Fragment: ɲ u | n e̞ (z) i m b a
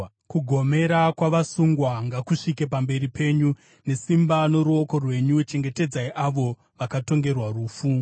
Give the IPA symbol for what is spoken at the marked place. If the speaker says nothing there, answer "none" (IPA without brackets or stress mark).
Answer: s